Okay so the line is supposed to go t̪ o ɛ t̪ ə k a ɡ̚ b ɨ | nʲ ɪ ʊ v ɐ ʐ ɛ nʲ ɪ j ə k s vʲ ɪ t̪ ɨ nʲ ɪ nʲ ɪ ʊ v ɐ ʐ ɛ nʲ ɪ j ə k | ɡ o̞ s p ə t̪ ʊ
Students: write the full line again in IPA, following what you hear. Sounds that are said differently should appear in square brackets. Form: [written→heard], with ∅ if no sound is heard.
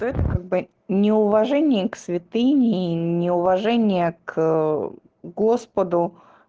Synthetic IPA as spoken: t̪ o ɛ t̪ ə k a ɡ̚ b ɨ | nʲ ɪ ʊ v ɐ ʐ ɛ nʲ ɪ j ə k s vʲ ɪ t̪ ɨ nʲ ɪ nʲ ɪ ʊ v ɐ ʐ ɛ nʲ ɪ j ə k | ɡ o̞ s p ə [t̪→d̪] ʊ